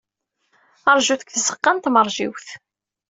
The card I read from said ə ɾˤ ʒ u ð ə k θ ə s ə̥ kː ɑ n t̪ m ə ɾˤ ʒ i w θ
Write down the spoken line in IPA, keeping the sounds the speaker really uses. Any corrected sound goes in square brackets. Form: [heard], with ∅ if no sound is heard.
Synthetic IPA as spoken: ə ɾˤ ʒ u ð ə k θ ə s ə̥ [qː] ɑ n t̪ m ə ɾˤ ʒ i w θ